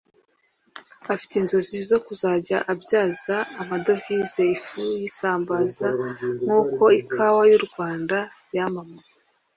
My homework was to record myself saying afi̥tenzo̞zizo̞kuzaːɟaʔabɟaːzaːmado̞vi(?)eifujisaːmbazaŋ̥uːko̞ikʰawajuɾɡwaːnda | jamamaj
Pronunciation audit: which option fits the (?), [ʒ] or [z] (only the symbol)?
z